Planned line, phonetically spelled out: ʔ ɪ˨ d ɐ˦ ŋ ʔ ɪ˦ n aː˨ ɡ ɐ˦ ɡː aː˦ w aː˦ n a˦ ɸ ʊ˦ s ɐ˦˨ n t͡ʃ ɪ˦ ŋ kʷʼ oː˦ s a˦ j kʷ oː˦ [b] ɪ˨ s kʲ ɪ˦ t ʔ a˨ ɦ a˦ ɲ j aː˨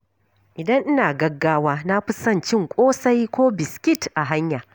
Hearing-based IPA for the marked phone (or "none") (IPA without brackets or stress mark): b